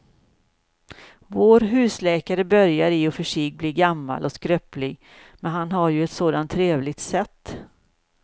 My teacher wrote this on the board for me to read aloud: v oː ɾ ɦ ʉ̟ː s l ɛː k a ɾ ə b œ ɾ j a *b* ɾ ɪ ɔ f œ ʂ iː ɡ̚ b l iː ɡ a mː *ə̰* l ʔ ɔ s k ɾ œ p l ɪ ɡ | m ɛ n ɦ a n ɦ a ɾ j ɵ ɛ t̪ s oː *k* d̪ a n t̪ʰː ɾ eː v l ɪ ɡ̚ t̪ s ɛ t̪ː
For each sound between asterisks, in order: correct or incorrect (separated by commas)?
incorrect, incorrect, incorrect